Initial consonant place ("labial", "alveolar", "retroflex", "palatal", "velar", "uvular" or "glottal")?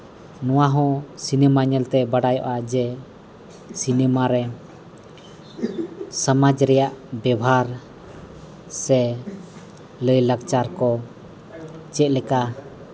alveolar